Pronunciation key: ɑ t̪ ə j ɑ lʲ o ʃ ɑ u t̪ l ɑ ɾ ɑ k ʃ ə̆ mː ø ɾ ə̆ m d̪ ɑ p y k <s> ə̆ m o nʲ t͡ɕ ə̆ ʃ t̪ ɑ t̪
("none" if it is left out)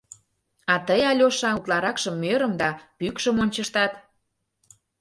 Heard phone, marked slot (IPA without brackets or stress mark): ʃ